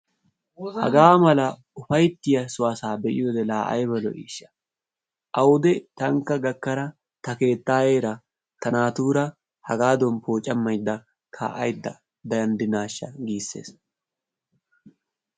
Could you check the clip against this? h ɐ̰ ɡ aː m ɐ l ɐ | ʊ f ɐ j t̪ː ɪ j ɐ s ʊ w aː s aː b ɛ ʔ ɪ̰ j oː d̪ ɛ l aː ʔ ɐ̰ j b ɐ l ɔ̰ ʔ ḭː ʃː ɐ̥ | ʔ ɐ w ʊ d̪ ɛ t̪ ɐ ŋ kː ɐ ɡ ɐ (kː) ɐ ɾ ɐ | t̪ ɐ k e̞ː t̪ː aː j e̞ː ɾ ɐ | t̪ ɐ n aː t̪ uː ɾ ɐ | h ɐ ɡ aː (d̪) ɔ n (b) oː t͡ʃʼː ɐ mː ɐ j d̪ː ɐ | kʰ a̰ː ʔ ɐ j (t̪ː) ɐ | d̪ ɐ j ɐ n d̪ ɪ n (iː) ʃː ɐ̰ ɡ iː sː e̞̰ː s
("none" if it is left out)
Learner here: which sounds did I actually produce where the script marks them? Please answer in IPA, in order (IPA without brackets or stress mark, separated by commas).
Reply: kː, d̪, p, d̪ː, aː